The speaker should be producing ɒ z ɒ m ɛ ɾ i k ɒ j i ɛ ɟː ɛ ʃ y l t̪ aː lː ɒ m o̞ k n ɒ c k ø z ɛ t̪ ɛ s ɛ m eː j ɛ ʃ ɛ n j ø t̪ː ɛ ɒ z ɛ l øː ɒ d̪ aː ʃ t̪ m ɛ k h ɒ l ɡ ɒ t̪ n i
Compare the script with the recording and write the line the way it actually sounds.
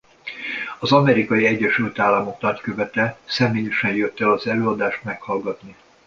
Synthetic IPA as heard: ɒ z ɒ m ɛ ɾ i k ɒ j i ɛ ɟː ɛ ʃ y l t̪ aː lː ɒ m o̞ k n ɒ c k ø v ɛ t̪ ɛ s ɛ m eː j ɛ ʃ ɛ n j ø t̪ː ɛ ɒ z ɛ l øː ɒ d̪ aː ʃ t̪ m ɛ k h ɒ l ɡ ɒ t̪ n i